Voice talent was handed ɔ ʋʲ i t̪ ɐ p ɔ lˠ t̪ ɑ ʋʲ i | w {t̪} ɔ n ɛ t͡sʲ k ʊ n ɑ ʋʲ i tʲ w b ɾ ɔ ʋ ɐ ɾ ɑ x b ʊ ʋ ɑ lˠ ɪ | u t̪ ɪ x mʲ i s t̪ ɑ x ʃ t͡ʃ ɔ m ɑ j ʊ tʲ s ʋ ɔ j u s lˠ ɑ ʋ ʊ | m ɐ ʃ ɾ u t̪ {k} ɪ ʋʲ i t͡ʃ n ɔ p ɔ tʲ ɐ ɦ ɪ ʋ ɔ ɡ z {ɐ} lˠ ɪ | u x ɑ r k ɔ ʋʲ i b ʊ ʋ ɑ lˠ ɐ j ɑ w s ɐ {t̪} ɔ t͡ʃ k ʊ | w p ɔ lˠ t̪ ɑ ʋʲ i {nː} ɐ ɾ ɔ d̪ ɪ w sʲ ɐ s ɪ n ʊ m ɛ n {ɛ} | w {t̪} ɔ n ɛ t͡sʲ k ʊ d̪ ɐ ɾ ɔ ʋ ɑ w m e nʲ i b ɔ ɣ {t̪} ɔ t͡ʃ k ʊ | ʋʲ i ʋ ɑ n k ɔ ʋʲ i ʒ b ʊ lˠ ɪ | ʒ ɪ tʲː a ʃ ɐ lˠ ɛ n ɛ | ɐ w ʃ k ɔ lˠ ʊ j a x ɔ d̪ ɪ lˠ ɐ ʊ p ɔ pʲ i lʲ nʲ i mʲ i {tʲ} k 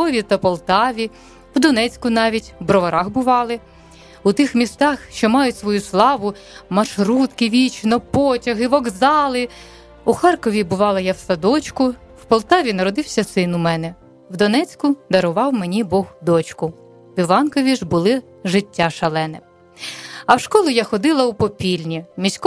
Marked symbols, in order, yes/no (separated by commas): no, yes, no, no, no, yes, no, no, no